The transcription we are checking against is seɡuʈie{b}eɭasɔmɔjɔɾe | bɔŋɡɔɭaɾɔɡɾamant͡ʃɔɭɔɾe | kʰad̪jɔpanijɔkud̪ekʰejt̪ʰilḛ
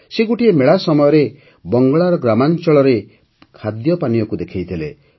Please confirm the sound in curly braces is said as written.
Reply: no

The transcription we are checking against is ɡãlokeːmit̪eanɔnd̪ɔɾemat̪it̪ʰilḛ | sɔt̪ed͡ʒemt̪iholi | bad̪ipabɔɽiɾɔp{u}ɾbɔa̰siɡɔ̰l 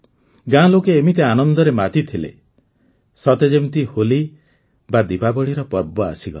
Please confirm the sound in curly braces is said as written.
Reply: no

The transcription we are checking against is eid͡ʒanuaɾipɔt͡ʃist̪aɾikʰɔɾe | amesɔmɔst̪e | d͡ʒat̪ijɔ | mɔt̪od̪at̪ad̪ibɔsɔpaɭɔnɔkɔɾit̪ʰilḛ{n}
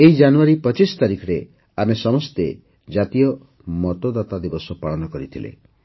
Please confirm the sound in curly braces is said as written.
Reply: no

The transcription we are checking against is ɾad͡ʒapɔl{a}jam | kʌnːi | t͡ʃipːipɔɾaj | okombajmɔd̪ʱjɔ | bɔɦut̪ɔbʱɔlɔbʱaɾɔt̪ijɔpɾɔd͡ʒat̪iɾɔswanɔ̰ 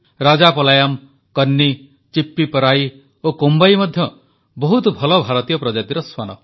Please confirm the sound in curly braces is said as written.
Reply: yes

